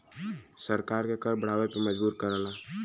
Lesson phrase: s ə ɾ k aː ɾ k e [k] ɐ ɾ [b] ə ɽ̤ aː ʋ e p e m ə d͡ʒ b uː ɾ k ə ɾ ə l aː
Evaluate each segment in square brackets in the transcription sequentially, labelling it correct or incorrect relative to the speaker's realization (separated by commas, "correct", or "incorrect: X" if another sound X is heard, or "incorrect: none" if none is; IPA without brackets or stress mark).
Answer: correct, correct